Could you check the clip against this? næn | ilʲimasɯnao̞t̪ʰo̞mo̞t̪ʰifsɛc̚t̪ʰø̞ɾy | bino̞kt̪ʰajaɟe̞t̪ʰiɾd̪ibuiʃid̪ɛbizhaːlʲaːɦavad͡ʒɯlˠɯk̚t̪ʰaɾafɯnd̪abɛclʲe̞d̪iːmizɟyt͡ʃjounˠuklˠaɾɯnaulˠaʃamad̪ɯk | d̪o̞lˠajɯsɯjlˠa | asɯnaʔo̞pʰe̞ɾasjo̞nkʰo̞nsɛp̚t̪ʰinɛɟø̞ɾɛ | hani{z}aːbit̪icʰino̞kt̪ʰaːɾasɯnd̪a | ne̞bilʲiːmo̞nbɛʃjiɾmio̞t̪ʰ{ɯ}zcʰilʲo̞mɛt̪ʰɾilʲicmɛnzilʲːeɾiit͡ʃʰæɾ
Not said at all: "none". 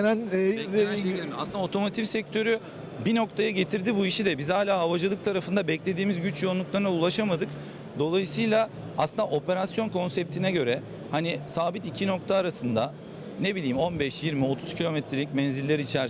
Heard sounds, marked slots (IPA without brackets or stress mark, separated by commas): s, u